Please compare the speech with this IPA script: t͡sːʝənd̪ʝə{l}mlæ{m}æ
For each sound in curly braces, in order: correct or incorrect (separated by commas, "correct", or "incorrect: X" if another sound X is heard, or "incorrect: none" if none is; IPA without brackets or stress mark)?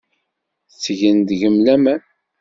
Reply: incorrect: none, correct